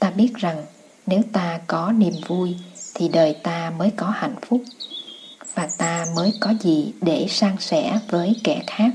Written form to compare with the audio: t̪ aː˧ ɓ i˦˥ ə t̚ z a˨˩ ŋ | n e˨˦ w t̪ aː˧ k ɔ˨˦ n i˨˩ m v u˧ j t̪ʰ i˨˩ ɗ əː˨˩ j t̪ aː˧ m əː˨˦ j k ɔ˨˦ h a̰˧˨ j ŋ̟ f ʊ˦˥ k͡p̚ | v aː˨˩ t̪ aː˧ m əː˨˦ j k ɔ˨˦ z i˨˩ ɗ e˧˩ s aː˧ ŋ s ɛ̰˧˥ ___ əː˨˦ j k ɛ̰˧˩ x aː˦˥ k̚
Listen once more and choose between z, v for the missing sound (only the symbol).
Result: v